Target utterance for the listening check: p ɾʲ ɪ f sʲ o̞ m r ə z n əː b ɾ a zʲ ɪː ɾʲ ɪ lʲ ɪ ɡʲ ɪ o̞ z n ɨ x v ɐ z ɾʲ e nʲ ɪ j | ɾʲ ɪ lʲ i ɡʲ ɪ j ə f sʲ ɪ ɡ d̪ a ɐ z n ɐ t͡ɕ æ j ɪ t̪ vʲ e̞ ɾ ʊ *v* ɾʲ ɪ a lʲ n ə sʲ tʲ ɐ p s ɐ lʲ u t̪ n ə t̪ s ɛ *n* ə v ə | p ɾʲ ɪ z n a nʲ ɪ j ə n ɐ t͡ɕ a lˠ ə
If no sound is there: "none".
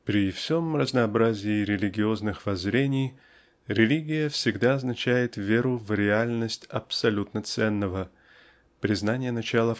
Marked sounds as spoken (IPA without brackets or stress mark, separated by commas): v, nː